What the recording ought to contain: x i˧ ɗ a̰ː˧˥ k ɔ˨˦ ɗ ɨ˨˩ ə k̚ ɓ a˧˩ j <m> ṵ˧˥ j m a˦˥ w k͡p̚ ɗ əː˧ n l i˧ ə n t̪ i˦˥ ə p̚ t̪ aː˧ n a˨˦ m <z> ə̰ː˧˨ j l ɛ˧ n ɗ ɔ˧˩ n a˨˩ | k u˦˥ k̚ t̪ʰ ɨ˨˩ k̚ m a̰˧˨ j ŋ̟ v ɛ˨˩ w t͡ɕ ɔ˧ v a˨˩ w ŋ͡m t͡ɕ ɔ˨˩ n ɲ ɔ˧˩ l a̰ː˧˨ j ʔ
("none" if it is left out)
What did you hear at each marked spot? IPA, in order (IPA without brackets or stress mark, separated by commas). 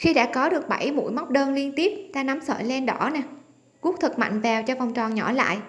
m, s